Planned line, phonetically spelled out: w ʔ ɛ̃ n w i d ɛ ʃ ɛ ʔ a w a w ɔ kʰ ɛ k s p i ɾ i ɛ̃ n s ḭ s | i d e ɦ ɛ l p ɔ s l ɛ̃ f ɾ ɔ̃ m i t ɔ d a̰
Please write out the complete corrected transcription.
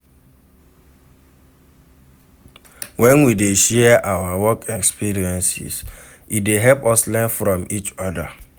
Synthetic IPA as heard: w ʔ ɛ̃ n w i d e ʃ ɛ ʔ a w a w ɔ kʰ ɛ k s p i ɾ i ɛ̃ n s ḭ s | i d e ɦ ɛ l p ɔ s l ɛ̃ f ɾ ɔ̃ m i t͡ʃ ɔ d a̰